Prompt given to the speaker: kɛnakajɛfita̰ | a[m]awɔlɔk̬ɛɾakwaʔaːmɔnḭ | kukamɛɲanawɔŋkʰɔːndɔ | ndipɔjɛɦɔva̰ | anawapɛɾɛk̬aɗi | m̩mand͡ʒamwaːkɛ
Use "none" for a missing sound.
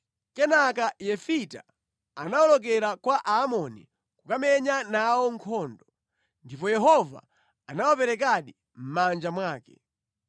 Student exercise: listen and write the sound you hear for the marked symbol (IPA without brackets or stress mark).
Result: n